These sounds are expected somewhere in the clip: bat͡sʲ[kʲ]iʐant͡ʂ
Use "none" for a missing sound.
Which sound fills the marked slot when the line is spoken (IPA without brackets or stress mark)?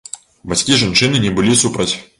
kʲ